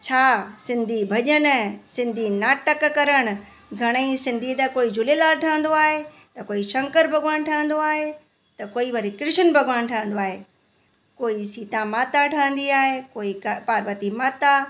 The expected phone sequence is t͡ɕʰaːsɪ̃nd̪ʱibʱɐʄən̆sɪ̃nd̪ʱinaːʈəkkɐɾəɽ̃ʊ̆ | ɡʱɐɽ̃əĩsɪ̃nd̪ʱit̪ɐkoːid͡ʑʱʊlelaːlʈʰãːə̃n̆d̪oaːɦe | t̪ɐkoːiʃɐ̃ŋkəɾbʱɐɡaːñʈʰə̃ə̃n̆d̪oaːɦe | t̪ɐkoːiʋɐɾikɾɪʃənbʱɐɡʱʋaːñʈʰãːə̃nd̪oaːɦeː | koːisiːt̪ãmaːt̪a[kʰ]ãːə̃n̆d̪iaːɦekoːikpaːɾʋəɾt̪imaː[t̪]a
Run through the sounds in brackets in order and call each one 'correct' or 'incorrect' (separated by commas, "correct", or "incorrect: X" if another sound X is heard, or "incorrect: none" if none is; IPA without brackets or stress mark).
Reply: incorrect: ʈʰ, correct